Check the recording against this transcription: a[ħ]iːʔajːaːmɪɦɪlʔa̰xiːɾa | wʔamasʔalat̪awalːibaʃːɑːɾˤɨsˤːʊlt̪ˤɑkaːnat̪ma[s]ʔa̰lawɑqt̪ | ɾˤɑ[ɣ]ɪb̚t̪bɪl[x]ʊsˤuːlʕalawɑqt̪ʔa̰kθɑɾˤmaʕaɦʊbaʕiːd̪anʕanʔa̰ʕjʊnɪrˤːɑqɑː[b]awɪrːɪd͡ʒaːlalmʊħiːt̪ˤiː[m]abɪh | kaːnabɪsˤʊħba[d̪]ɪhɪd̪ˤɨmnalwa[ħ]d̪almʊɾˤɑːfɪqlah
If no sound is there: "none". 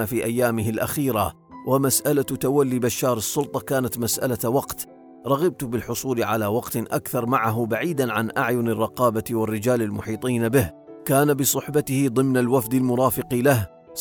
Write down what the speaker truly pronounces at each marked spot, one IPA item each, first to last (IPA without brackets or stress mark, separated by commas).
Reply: f, s, ɣ, ħ, b, n, t̪, f